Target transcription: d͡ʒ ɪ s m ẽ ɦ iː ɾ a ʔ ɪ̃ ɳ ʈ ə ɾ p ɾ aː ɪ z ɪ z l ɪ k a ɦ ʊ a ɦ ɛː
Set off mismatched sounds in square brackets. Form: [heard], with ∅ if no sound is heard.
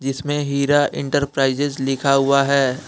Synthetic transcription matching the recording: d͡ʒ ɪ s m ẽ ɦ iː ɾ a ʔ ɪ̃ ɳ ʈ ə ɾ p ɾ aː ɪ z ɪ z l ɪ [kʰ] a ɦ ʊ a ɦ ɛː

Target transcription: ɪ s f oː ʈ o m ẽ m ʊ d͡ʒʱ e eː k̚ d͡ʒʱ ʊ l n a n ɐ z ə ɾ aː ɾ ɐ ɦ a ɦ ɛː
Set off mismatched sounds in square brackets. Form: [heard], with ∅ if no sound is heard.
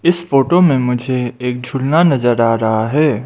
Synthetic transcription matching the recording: ɪ s f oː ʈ o m ẽ m ʊ d͡ʒʱ e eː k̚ d͡ʒʱ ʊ l n a n ɐ z ə ɾ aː ɾ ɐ ɦ a ɦ ɛː

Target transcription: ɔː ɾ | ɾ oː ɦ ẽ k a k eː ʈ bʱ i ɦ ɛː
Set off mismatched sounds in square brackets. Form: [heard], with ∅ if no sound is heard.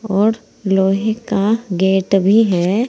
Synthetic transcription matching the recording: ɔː ɾ | [l] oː ɦ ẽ k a [ɡ] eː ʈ bʱ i ɦ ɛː

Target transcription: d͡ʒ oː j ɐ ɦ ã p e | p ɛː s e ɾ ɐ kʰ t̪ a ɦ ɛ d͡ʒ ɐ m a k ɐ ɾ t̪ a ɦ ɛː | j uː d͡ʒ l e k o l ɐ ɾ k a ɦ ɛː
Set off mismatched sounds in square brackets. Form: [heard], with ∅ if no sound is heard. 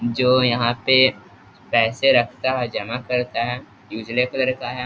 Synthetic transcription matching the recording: d͡ʒ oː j ɐ ɦ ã p e | p ɛː s e ɾ ɐ kʰ t̪ a ɦ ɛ d͡ʒ ɐ m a k ɐ ɾ t̪ a ɦ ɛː | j uː d͡ʒ l e k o l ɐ ɾ k a ɦ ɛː

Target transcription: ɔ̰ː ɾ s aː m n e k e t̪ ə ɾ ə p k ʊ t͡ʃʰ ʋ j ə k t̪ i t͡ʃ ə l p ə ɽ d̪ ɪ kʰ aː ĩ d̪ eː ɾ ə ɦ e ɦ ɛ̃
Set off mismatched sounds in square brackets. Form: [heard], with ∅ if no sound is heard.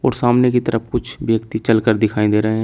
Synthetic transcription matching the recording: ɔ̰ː ɾ s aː m n e k [i] t̪ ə ɾ ə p k ʊ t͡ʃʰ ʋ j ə k t̪ i t͡ʃ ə l [k] ə [ɾ] d̪ ɪ kʰ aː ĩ d̪ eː ɾ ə ɦ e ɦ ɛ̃

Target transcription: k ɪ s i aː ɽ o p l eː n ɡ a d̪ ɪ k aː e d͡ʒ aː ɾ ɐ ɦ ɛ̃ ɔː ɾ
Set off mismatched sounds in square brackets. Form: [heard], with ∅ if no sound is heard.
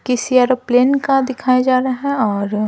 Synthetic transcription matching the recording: k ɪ s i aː [ɾ] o p l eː n [k] a d̪ ɪ [kʰ] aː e d͡ʒ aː ɾ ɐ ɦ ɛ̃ ɔː ɾ

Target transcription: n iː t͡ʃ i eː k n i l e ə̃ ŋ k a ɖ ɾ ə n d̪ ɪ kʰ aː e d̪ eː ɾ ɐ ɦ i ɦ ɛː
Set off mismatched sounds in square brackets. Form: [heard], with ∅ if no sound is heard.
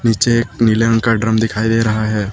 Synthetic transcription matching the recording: n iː t͡ʃ [e] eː k n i l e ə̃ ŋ k a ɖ ɾ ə [m] d̪ ɪ kʰ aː [i] d̪ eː ɾ ɐ ɦ [a] ɦ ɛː

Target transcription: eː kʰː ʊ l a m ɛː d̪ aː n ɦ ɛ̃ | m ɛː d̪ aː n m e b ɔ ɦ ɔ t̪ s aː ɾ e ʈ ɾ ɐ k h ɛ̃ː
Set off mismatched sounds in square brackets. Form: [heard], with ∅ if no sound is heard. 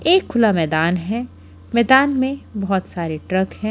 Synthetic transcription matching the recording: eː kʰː ʊ l a m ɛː d̪ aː n ɦ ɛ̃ | m ɛː d̪ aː n m [ẽ] b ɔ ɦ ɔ t̪ s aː ɾ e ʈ ɾ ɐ k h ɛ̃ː

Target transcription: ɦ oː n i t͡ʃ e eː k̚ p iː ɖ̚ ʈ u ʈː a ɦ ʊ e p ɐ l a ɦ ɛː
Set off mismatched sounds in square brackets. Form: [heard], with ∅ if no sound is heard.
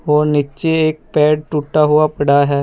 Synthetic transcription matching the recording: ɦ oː n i t͡ʃ e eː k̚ p [ɛː] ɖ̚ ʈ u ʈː a ɦ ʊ [a] p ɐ [ɽ] a ɦ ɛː

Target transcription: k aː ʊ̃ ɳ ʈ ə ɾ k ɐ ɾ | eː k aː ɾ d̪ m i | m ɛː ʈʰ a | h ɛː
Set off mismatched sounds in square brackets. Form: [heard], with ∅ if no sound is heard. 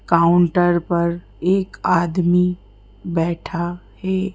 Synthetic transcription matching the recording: k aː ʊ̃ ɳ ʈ ə ɾ [p] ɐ ɾ | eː k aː [∅] d̪ m i | [b] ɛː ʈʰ a | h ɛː

